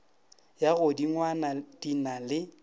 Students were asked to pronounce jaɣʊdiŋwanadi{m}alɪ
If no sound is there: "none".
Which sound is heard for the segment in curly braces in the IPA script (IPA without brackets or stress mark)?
n